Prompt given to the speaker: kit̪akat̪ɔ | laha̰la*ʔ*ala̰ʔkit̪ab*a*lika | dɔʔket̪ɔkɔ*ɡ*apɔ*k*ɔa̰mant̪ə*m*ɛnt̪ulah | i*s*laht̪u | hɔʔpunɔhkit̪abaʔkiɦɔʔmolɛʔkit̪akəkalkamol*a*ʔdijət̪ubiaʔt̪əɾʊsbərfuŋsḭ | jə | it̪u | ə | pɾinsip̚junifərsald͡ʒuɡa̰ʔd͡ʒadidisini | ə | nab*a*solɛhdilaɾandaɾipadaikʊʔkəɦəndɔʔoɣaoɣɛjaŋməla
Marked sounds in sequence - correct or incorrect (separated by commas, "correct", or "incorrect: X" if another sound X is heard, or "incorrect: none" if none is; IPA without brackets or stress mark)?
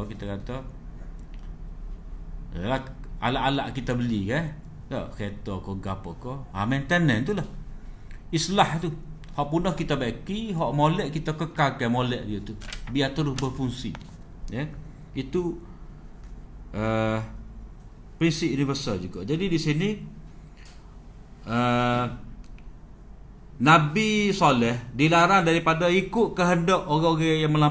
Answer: correct, incorrect: ə, correct, correct, incorrect: n, correct, incorrect: ɛ, incorrect: i